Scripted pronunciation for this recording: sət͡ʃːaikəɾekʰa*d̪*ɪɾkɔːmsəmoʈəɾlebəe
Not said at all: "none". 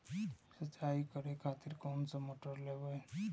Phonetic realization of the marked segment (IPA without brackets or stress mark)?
t̪